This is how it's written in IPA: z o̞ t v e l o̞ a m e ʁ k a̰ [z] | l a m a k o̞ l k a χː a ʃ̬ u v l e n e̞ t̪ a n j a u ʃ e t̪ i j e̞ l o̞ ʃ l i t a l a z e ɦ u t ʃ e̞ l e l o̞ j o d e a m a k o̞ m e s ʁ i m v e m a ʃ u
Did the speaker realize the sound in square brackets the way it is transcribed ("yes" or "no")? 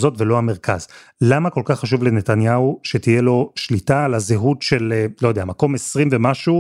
yes